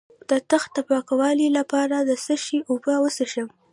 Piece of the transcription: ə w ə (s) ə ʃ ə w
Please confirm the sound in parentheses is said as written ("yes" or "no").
yes